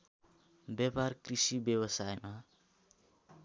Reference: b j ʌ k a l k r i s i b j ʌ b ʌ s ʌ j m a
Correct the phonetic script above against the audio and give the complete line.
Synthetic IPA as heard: b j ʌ p a r k r i s i b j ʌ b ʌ s a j m a